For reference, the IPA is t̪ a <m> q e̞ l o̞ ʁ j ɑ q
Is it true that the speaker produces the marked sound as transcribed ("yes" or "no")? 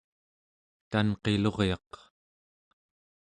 no